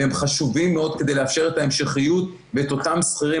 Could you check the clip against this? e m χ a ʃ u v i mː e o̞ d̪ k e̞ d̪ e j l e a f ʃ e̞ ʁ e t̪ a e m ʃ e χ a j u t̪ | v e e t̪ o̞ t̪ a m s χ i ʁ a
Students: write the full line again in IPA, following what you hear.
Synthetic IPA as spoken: e m χ a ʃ u v i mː e o̞ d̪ k e̞ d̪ e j l e a f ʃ e̞ ʁ e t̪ a e m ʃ e χ i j u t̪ | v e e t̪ o̞ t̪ a m s χ i ʁ i

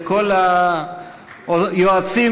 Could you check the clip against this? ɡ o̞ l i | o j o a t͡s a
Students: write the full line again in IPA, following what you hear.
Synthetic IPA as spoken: k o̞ l a | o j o a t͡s i

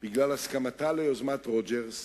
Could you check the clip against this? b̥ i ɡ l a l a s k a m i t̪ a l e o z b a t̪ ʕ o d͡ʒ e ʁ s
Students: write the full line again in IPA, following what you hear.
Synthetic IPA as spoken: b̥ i ɡ l a l a s k a m a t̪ a l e o z m a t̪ ʁ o d͡ʒ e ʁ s

